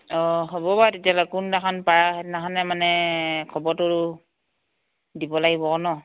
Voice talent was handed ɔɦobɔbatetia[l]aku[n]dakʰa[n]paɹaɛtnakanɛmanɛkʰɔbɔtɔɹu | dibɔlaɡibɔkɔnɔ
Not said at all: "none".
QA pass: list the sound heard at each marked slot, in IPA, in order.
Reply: l, n, n

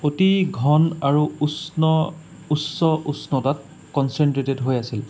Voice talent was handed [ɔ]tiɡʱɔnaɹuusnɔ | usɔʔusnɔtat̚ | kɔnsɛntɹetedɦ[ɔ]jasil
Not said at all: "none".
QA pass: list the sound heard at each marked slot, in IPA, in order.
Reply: o, o

